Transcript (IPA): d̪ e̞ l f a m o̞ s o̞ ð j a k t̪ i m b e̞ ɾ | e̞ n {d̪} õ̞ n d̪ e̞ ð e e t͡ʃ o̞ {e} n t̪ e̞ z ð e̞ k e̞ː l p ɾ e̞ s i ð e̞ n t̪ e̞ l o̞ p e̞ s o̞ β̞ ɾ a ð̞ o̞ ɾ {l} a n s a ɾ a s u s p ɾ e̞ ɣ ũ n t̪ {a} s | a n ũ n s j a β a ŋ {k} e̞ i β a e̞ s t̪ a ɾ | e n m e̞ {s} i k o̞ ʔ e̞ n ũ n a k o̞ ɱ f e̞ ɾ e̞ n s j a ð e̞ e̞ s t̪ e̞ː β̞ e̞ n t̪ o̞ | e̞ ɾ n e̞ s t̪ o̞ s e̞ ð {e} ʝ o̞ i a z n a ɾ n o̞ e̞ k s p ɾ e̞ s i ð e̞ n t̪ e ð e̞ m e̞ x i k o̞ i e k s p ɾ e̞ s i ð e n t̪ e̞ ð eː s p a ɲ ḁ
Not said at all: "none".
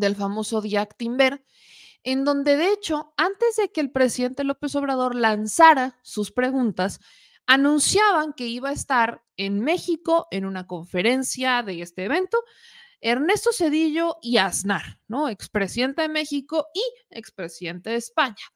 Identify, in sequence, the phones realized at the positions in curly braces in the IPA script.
d̪, a, l, a, k, x, i

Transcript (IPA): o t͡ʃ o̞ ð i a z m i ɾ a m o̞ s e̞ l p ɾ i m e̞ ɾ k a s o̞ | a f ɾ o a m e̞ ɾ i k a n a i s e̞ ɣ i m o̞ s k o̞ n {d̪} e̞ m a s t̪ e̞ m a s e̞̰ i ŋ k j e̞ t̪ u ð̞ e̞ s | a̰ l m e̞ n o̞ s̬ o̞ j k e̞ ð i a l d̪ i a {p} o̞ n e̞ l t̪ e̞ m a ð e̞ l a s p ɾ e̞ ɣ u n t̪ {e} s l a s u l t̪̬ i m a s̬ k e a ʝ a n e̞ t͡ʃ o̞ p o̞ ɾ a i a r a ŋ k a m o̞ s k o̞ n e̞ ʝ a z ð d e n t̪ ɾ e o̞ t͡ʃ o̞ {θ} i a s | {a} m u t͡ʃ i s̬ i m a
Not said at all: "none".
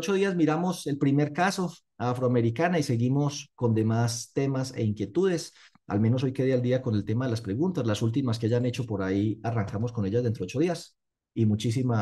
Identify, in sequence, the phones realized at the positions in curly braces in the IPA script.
d̪, k, a, ð, i

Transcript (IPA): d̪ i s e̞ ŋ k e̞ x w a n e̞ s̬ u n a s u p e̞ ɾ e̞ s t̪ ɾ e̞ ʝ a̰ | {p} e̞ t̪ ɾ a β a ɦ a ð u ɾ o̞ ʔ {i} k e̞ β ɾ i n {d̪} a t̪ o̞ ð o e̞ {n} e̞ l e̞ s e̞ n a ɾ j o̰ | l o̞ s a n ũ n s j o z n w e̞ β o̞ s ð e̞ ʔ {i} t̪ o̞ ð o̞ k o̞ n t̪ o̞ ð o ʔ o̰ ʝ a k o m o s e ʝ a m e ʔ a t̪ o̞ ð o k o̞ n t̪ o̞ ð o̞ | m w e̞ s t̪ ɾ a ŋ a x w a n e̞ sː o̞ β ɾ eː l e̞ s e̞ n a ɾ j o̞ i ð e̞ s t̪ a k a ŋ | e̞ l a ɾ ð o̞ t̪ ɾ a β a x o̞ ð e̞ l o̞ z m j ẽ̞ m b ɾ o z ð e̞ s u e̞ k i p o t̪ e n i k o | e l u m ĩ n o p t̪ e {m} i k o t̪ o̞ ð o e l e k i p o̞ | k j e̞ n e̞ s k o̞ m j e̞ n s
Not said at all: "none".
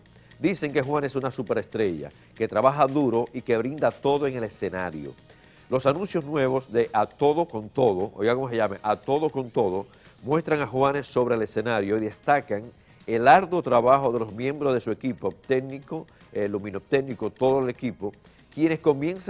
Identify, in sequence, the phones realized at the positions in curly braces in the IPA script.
k, i, d̪, ŋ, a, n

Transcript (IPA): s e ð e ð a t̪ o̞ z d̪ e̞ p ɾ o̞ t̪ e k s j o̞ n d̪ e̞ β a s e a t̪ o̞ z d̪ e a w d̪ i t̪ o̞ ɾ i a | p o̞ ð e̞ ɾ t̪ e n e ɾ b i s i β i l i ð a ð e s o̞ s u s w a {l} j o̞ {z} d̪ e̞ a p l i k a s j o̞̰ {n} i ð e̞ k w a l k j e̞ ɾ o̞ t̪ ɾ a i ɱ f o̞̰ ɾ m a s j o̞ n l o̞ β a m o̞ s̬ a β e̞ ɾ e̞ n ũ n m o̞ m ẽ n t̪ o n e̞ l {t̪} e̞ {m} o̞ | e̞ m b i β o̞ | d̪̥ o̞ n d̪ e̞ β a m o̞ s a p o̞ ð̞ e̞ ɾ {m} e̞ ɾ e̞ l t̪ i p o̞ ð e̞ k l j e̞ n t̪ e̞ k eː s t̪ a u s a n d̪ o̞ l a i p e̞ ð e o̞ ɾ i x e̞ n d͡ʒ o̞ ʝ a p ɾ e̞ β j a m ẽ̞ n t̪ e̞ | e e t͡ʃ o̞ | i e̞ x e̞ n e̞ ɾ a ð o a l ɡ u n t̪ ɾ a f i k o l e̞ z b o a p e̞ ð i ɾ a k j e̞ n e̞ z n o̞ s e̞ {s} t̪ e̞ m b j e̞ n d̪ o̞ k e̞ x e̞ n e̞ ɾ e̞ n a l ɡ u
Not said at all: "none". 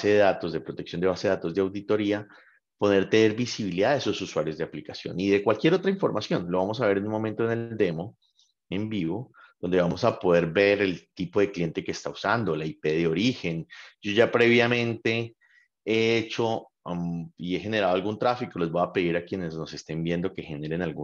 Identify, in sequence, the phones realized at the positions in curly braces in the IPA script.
ɾ, z, n, d̪, m, b, s

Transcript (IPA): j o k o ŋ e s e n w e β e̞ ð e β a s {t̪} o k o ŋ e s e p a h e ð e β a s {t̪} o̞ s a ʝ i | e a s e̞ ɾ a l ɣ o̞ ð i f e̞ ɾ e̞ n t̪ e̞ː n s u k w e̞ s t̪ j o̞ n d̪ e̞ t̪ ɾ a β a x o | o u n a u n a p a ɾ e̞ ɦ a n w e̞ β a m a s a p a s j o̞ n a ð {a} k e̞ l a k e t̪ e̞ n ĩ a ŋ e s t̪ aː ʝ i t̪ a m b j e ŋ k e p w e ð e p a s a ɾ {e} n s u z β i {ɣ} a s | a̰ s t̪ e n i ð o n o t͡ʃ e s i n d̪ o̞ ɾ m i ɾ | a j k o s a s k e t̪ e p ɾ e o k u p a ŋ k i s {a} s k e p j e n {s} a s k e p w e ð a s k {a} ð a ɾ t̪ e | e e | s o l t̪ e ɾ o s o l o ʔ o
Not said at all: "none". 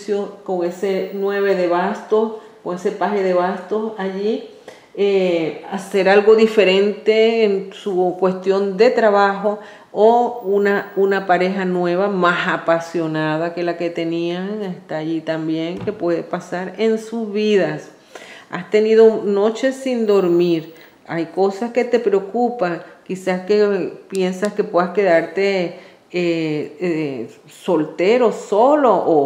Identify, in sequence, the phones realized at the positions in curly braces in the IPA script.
t̪, t̪, a, e, ð, a, s, e

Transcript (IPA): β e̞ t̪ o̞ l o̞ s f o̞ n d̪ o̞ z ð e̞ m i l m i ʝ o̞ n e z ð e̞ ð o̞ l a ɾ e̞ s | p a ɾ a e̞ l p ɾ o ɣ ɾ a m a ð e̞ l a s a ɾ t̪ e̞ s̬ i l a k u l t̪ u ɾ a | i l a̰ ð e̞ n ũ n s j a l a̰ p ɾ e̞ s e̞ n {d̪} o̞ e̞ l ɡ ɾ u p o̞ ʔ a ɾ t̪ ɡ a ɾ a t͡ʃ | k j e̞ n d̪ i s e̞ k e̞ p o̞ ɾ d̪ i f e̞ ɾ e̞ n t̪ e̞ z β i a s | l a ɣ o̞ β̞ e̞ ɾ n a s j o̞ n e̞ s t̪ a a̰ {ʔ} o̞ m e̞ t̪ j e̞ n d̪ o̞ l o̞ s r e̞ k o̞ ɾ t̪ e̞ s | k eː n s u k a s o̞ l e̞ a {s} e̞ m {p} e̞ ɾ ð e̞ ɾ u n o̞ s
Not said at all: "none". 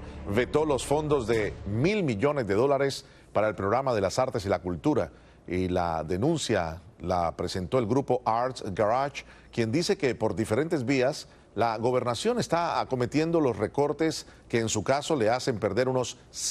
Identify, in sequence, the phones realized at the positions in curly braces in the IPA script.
t̪, k, s, p

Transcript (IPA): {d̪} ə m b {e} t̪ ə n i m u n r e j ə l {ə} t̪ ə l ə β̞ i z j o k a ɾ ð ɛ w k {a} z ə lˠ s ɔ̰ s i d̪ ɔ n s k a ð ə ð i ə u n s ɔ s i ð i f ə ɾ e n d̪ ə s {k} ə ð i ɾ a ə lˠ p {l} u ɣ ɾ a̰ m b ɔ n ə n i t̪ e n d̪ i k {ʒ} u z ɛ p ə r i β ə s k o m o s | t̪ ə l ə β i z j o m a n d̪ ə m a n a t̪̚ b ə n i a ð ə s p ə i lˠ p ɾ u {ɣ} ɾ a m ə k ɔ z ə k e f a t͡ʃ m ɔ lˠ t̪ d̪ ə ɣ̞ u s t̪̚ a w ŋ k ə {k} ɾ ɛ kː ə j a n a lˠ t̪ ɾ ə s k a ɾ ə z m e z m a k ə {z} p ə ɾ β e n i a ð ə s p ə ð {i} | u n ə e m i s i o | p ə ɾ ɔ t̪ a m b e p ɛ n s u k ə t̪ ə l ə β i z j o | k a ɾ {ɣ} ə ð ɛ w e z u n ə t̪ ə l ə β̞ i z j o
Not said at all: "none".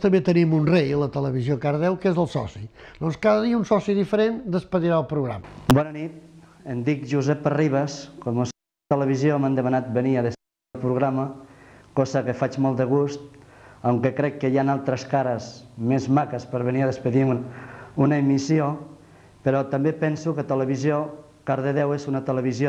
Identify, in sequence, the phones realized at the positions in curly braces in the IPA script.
t̪, e, ə, e, p, ɾ, ʒ, ɣ, k, s, i, ð

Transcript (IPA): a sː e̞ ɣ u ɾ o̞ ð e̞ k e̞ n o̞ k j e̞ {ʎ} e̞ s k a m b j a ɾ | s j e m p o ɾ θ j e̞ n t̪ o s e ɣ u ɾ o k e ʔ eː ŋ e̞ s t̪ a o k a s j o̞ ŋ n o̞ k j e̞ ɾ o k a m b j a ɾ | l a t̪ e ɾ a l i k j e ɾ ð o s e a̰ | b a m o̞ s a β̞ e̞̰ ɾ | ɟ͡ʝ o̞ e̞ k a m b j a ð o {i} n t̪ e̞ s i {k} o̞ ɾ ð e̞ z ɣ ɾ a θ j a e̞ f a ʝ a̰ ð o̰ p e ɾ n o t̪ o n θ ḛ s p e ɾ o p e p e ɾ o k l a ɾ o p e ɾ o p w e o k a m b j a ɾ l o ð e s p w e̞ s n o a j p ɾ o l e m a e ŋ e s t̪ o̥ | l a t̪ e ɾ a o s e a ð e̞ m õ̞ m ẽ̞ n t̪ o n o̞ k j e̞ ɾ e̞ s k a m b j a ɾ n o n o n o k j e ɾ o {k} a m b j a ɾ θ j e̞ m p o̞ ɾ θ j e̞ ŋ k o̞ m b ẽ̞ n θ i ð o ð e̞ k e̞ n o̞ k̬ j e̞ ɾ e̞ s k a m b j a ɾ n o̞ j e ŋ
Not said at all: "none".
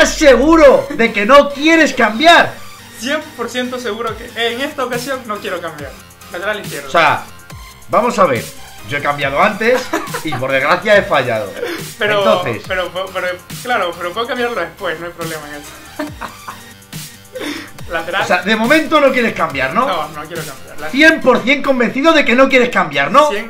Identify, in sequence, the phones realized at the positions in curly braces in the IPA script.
ɾ, a, p, k

